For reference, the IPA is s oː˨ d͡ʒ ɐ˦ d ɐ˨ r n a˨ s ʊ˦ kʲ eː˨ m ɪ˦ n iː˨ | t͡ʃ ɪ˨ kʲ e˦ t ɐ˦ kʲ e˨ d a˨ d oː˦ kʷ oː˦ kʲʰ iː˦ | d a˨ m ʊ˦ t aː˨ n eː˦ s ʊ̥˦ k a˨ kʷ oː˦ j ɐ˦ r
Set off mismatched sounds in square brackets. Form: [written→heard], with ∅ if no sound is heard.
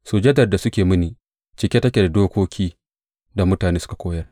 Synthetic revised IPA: s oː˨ d͡ʒ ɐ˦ d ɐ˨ r [n→d] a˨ s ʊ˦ kʲ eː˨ m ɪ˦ n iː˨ | t͡ʃ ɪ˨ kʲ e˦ t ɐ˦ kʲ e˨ d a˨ d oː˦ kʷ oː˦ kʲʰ iː˦ | d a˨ m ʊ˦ t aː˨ n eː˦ s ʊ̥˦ k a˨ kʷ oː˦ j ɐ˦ r